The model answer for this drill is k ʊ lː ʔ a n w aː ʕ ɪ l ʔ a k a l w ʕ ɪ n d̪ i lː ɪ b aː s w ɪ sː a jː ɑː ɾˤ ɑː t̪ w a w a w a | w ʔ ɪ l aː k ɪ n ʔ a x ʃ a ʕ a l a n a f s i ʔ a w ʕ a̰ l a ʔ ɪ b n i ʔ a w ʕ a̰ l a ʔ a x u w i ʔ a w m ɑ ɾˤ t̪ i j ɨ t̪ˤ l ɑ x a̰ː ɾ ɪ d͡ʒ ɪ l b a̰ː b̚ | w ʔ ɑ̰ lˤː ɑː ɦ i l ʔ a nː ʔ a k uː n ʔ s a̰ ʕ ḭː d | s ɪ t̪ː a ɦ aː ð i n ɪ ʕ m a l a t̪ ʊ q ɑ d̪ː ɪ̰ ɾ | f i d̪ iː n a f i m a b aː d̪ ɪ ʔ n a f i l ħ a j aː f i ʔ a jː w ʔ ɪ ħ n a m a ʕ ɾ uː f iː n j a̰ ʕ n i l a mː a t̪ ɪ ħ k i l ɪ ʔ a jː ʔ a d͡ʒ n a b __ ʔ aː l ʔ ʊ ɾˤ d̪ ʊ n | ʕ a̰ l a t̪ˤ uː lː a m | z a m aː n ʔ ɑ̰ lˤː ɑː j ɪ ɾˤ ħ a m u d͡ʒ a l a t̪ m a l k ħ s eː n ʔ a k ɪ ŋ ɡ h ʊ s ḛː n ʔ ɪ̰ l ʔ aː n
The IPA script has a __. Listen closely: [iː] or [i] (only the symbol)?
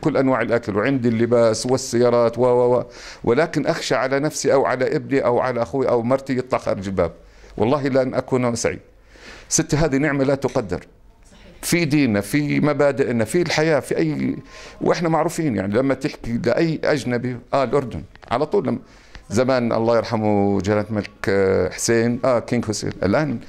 i